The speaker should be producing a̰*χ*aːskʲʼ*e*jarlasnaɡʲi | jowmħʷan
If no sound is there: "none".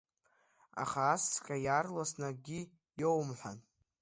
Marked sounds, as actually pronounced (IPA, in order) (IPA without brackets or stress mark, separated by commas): χ, a